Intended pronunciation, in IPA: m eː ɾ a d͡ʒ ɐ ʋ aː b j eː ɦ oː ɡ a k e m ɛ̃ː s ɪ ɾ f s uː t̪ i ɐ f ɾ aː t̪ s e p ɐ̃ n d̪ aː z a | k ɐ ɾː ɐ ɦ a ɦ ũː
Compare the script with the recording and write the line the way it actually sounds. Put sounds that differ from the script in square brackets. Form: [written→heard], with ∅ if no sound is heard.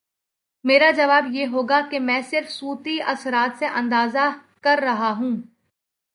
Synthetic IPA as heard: m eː ɾ a d͡ʒ ɐ ʋ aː b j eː ɦ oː ɡ a k e m ɛ̃ː s ɪ ɾ f s uː t̪ i ɐ [f→s] ɾ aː t̪ s e [p→ʔ] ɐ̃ n d̪ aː z a | k ɐ ɾː ɐ ɦ a ɦ ũː